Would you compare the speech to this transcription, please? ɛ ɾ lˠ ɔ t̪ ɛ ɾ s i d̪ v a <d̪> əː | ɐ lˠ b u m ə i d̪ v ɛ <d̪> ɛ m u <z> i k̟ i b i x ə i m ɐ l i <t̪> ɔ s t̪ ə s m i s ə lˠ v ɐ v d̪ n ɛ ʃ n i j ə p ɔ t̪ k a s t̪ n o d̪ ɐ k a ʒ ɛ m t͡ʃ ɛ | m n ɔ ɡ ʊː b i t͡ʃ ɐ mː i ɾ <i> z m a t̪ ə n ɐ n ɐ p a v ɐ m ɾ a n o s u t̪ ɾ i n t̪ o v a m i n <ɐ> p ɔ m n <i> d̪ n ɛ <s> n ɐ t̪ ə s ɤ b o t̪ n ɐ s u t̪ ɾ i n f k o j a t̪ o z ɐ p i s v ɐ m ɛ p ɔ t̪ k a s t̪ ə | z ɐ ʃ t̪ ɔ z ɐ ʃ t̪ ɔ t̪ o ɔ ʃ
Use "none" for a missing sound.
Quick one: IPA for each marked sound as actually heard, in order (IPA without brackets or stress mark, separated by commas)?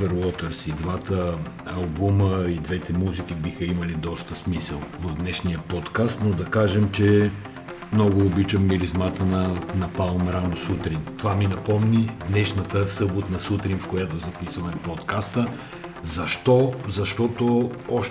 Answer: t̪, t̪, z, d̪, i, ɐ, i, ʃ